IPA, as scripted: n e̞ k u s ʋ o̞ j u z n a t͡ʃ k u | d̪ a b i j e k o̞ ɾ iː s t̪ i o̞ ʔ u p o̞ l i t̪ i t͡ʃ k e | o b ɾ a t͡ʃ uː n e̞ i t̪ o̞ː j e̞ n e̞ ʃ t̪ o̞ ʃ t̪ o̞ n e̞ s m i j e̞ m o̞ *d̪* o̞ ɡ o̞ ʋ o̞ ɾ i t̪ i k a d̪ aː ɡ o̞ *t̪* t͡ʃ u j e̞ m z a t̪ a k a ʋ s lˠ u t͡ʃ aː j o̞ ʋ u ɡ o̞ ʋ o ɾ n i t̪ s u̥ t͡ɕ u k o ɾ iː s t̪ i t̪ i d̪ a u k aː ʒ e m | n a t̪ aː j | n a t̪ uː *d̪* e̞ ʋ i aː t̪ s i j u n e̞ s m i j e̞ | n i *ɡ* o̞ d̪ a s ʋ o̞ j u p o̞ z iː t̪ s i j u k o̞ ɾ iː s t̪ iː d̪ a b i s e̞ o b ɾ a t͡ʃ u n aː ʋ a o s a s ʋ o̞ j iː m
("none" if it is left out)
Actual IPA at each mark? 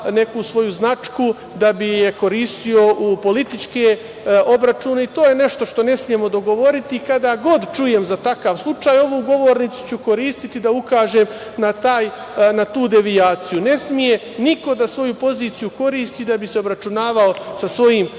d̪, d̪, d̪, k

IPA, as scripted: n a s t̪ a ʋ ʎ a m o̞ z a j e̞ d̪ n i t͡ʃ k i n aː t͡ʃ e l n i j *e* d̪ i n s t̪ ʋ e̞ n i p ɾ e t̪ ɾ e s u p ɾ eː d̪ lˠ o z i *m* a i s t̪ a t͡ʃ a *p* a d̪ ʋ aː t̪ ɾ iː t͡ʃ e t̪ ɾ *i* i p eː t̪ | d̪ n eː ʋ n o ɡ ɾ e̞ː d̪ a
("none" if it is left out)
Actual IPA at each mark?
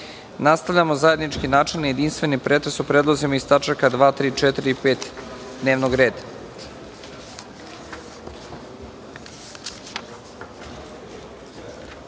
e, m, k, i

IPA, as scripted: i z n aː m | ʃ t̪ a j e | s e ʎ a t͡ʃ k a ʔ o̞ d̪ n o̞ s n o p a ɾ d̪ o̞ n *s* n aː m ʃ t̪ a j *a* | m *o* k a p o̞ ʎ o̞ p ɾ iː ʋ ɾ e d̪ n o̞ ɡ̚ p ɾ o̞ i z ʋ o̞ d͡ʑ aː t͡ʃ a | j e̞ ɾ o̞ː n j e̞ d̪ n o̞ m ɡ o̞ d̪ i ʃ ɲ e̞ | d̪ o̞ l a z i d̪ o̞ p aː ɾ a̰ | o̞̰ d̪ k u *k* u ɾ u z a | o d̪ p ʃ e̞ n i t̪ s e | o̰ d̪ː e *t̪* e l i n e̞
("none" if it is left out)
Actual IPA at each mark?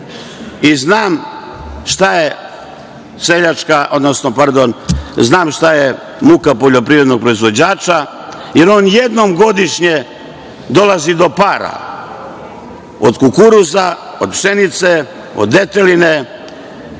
z, e, u, k, t̪

